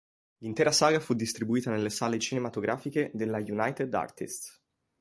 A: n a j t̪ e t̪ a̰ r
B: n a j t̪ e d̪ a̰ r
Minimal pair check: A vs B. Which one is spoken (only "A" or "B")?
B